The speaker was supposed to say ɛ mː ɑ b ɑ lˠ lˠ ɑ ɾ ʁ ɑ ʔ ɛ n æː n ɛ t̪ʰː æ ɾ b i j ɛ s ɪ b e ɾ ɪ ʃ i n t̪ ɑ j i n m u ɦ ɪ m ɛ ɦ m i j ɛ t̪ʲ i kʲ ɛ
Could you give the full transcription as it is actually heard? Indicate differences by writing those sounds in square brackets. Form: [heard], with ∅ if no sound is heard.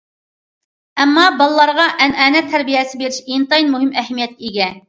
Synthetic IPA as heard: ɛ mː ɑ b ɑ lˠ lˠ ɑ ɾ ʁ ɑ ʔ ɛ n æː n ɛ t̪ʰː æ ɾ b i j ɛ s ɪ b e ɾ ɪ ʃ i n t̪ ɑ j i n m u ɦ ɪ m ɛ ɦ m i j ɛ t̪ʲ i [ɡʲ] ɛ